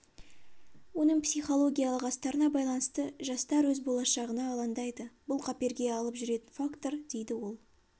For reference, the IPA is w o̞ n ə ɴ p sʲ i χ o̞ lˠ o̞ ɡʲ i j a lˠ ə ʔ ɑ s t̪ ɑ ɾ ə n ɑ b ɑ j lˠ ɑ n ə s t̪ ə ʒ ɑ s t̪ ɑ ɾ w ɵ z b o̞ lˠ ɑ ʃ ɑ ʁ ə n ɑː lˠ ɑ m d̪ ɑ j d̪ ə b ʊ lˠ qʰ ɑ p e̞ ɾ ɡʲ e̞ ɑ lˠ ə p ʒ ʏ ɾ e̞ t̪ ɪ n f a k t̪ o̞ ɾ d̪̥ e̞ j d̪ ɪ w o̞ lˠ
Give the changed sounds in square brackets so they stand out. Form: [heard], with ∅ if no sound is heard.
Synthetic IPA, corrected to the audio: w o̞ n ə ɴ p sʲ i χ o̞ lˠ o̞ ɡʲ i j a lˠ ə [q] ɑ s t̪ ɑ ɾ ə n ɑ b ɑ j lˠ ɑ n ə s t̪ ə ʒ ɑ s t̪ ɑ ɾ w ɵ z b o̞ lˠ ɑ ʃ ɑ ʁ ə n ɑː lˠ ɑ [n] d̪ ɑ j d̪ ə b ʊ lˠ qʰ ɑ p e̞ ɾ ɡʲ e̞ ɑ lˠ ə p ʒ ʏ ɾ e̞ t̪ ɪ n f a k t̪ o̞ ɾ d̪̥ e̞ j d̪ ɪ w o̞ lˠ

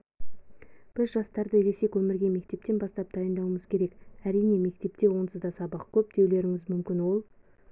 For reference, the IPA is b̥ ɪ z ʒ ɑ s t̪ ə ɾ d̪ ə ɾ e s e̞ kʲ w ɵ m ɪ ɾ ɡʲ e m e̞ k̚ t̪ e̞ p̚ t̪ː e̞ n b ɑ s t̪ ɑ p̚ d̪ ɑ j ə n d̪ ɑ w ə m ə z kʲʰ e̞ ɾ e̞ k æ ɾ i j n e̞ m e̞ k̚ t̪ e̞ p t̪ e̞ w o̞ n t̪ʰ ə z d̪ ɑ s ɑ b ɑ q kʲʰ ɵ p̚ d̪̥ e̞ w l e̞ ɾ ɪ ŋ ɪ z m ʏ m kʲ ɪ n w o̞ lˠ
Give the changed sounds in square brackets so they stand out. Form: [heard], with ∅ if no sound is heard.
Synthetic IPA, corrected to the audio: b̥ ɪ z ʒ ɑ s t̪ [ɑ] ɾ d̪ ə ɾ e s e̞ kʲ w ɵ m ɪ ɾ ɡʲ e m e̞ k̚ t̪ e̞ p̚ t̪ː e̞ n b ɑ s t̪ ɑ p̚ d̪ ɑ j ə n d̪ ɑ w ə m ə z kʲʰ e̞ ɾ e̞ k æ ɾ i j n e̞ m e̞ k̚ t̪ e̞ p t̪ e̞ w o̞ n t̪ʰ ə z d̪ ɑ s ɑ b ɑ q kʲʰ ɵ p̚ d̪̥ e̞ w l e̞ ɾ ɪ ŋ ɪ z m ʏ m kʲ ɪ n w o̞ lˠ

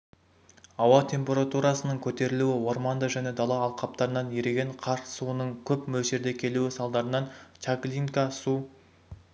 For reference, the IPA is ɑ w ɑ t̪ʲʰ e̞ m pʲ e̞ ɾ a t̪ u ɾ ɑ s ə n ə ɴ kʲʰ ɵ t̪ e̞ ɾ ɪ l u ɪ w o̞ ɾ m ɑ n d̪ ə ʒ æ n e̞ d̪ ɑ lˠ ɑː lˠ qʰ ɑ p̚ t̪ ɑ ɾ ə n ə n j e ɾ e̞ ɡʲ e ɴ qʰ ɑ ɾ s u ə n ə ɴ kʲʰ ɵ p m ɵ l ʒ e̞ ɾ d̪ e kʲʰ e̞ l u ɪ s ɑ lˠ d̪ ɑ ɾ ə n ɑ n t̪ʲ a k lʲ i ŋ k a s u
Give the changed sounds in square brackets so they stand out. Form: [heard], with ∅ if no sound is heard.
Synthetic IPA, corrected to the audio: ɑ w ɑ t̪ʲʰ e̞ m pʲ e̞ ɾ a t̪ u ɾ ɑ s ə n ə ɴ kʲʰ ɵ t̪ e̞ ɾ ɪ l u ɪ w o̞ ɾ m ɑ n d̪ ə ʒ æ n e̞ d̪ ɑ lˠ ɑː lˠ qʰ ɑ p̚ t̪ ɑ ɾ ə n [ɑ] n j e ɾ e̞ ɡʲ e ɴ qʰ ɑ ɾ s u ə n ə ɴ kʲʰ ɵ p m ɵ l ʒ e̞ ɾ d̪ e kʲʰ e̞ l u ɪ s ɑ lˠ d̪ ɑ ɾ ə n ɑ n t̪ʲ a k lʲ i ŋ k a s u

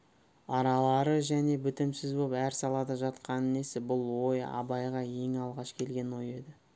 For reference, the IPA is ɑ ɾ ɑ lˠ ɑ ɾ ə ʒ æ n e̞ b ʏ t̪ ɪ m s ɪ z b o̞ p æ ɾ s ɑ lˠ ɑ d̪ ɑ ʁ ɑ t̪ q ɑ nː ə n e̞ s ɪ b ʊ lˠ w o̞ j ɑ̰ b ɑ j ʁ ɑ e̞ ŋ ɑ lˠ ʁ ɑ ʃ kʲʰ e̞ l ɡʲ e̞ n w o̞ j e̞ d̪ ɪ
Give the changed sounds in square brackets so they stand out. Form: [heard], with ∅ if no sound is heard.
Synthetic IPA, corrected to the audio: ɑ ɾ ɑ lˠ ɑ ɾ ə ʒ æ n e̞ b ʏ t̪ ɪ m s ɪ z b o̞ p æ ɾ s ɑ lˠ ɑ d̪ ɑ [ʒ] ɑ t̪ q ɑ [n] ə n e̞ s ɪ b ʊ lˠ w o̞ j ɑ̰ b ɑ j ʁ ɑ e̞ ŋ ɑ lˠ ʁ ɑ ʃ kʲʰ e̞ l ɡʲ e̞ n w o̞ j e̞ d̪ ɪ

